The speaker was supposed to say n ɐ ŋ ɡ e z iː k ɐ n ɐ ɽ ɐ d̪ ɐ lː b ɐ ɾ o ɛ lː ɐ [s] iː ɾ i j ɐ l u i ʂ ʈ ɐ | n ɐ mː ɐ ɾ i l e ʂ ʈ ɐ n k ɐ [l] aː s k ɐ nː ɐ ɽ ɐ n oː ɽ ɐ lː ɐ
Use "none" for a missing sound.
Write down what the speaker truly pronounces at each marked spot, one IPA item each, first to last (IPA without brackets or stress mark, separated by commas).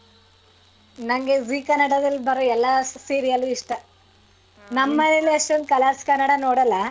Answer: s, l